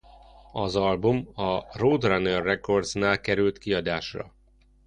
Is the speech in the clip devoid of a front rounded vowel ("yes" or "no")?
no